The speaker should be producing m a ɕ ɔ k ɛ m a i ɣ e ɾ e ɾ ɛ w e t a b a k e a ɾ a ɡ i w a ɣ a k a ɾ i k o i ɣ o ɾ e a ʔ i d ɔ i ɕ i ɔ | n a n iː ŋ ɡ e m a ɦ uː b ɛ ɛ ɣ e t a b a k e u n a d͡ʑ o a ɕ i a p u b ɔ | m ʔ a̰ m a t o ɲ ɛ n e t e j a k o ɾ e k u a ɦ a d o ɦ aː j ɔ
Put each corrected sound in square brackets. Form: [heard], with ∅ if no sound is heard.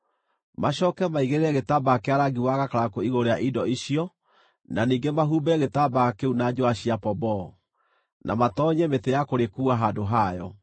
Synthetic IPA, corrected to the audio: m a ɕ ɔ k ɛ m a i ɣ e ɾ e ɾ ɛ [ɣ] e t a b a k e a ɾ a ɡ i w a ɣ a k a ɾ [a] k o i ɣ o ɾ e a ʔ i d ɔ i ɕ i ɔ | n a n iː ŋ ɡ e m a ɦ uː b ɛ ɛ ɣ e t a b a k e u n a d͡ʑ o a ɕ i a p [ɔ] b ɔ | [n] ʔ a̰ m a t [ɔ] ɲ ɛ [m] e t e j a k o ɾ e k u a ɦ a d o ɦ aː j ɔ